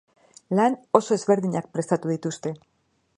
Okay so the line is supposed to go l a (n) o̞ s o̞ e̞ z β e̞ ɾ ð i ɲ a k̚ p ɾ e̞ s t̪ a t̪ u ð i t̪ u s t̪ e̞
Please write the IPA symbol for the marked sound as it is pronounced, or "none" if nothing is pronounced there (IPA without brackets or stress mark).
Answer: n